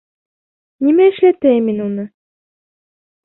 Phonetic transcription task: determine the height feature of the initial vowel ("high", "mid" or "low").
high